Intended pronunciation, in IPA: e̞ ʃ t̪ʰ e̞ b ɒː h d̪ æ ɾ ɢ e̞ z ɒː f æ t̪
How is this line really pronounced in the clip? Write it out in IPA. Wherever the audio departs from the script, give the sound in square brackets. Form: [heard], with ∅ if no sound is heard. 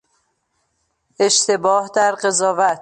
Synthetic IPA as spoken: e̞ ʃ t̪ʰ e̞ b ɒː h d̪ æ ɾ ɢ e̞ z ɒː [v] æ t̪